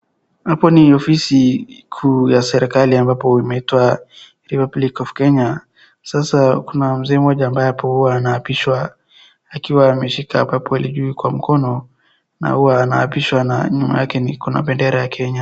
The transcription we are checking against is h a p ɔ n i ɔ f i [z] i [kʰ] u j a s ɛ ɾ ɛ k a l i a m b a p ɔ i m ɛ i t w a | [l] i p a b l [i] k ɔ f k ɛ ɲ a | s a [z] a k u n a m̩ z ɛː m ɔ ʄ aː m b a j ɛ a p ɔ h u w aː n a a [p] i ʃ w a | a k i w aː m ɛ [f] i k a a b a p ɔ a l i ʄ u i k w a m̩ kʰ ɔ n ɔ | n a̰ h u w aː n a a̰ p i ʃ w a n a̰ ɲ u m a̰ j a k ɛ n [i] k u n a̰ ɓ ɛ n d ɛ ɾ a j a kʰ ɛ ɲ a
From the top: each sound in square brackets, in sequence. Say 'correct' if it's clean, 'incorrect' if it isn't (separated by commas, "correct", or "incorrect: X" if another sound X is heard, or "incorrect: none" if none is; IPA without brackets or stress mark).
incorrect: s, correct, incorrect: ɾ, correct, incorrect: s, correct, incorrect: ʃ, correct